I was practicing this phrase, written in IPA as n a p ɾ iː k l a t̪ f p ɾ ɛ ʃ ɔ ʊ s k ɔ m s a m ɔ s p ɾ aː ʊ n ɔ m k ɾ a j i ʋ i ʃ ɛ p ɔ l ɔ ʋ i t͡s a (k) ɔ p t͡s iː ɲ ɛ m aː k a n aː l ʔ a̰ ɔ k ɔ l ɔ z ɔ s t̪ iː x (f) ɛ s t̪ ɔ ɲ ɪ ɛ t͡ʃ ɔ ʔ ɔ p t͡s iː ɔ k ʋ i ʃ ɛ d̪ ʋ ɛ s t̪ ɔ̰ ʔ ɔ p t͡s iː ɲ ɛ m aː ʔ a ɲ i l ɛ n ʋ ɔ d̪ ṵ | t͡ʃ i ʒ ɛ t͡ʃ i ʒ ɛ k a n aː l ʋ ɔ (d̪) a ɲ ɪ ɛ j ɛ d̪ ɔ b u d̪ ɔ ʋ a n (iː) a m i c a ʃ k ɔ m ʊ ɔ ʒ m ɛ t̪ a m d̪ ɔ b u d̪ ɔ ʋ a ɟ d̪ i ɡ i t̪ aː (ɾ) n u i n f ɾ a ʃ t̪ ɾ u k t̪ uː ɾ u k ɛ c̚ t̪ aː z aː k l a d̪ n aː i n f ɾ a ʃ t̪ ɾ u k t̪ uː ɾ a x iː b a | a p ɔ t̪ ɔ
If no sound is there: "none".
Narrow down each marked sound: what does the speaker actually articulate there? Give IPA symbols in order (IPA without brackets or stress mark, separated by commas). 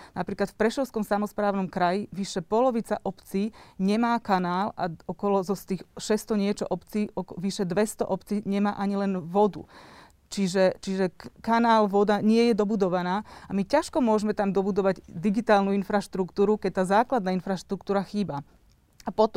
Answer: ʔ, ʃ, d̪, aː, l